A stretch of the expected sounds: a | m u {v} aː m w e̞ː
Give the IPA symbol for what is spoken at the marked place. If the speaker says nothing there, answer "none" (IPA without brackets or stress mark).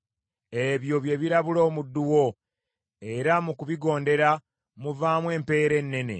v